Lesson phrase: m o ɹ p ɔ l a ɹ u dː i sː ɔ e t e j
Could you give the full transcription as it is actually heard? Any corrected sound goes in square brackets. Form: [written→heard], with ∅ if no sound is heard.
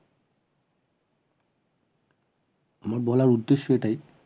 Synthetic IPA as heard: m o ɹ [p→b] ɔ l a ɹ u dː [i→e] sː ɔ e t [e→a] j